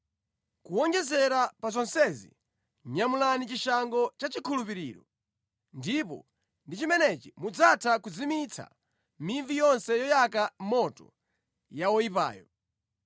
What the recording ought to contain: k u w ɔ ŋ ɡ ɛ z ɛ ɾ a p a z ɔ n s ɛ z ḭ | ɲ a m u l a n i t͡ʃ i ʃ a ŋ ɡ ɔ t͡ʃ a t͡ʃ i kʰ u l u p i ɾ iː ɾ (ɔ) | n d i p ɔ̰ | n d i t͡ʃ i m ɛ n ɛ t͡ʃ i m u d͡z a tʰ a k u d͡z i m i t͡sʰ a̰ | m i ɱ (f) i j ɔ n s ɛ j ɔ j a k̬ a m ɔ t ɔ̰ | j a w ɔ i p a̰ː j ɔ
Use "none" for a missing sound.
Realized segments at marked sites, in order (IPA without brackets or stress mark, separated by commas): ɔ, v